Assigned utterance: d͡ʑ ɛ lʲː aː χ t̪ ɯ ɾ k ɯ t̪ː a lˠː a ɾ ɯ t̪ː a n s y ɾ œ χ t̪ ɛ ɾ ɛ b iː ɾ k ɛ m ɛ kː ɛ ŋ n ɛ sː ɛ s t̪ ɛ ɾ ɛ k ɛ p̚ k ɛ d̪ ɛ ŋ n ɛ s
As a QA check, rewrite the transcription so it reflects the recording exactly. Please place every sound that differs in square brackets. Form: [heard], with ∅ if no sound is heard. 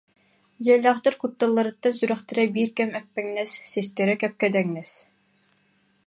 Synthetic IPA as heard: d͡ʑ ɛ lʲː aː χ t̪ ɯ ɾ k [u] t̪ː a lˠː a ɾ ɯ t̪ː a n s y ɾ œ χ t̪ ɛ ɾ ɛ b iː ɾ k ɛ m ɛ [pː] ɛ ŋ n ɛ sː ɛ s t̪ ɛ ɾ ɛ k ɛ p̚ k ɛ d̪ ɛ ŋ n ɛ s

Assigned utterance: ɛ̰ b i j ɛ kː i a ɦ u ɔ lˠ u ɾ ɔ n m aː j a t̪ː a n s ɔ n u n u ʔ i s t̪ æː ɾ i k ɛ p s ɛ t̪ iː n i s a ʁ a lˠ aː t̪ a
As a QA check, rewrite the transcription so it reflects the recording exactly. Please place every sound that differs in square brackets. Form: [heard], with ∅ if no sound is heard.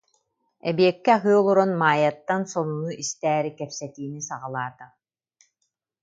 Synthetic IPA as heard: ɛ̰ b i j ɛ kː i a ɦ [ɯ] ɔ lˠ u ɾ ɔ n m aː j a t̪ː a n s ɔ n u n u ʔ i s t̪ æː ɾ i k ɛ p s ɛ t̪ iː n i s a ʁ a lˠ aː t̪ a

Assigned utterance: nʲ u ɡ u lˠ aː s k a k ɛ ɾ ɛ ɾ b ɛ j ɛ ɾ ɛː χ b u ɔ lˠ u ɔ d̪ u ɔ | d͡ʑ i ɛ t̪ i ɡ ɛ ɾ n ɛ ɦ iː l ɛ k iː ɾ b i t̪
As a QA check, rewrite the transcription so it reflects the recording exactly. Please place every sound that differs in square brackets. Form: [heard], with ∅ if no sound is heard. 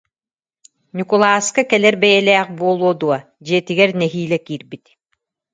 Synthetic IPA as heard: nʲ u [k] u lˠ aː s k a k ɛ [l] ɛ ɾ b ɛ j ɛ [l] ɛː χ b u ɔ lˠ u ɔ d̪ u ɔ | d͡ʑ i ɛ t̪ i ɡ ɛ ɾ n ɛ ɦ iː l ɛ k iː ɾ b i t̪

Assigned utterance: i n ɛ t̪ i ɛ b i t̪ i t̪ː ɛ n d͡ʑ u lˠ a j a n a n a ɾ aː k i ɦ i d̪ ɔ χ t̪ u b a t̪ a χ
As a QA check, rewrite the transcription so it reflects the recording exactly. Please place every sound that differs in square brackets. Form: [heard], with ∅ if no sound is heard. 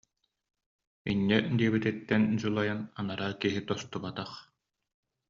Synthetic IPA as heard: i [nː] ɛ [d̪] i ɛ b i t̪ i t̪ː ɛ n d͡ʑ u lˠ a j a n a n a ɾ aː k i ɦ i [t̪] ɔ [s] t̪ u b a t̪ a χ

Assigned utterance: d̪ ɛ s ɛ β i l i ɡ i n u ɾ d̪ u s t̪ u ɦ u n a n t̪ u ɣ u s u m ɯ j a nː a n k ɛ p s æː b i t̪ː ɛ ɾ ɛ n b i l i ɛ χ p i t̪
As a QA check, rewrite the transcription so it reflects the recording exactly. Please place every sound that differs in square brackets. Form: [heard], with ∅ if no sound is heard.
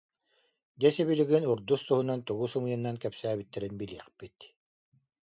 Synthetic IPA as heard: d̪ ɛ s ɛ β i l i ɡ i n u ɾ d̪ u s t̪ u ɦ u n a n t̪ u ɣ u s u m ɯ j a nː a n k ɛ p s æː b i t̪ː ɛ ɾ [i] n b i l i ɛ χ p i t̪

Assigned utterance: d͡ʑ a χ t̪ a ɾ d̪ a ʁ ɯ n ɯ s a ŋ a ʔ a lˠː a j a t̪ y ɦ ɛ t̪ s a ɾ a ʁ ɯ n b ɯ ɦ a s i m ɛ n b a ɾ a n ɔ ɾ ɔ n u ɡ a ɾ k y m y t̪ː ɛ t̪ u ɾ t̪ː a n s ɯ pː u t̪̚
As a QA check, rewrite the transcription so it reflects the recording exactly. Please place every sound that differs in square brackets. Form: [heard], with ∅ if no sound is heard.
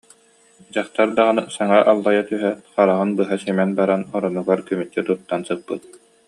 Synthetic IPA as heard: d͡ʑ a χ t̪ a ɾ d̪ a ʁ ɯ n ɯ s a ŋ a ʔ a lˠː a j a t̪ y ɦ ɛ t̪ [χ] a ɾ a ʁ ɯ n b ɯ ɦ a s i m ɛ n b a ɾ a n ɔ ɾ ɔ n u ɡ a ɾ k y m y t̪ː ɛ t̪ u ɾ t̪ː a n s ɯ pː [ɯ] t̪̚

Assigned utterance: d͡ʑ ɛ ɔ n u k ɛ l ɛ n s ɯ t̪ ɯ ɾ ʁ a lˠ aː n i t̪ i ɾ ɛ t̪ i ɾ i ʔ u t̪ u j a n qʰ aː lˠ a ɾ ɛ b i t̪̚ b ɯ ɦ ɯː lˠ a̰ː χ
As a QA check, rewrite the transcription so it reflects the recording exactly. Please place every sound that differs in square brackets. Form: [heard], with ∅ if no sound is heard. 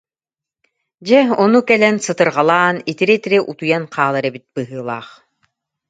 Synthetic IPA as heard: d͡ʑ ɛ ɔ n u k ɛ l ɛ n s ɯ t̪ ɯ ɾ ʁ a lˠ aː n i t̪ i ɾ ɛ t̪ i ɾ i ʔ u t̪ u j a n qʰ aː lˠ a ɾ ɛ b i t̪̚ b ɯ ɦ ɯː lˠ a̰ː χ

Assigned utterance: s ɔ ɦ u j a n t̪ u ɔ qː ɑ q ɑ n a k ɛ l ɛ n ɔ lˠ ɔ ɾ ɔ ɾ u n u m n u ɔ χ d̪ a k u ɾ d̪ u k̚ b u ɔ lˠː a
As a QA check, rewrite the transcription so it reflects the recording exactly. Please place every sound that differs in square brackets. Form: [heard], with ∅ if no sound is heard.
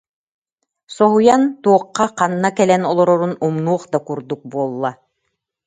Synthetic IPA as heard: s ɔ ɦ u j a n t̪ u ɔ qː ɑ q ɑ [nː] a k ɛ l ɛ n ɔ lˠ ɔ ɾ ɔ ɾ u n u m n u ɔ χ d̪ a k u ɾ d̪ u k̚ b u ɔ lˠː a

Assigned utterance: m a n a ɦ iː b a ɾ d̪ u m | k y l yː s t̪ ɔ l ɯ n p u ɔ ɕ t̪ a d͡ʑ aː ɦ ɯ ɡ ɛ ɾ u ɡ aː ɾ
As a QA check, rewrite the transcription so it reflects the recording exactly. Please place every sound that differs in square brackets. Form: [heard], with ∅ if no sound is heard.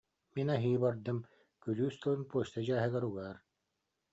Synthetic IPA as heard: m [i] n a ɦ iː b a ɾ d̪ [ɯ] m | k y l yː s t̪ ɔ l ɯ n p u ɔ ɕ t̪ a d͡ʑ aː ɦ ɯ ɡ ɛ ɾ u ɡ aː ɾ

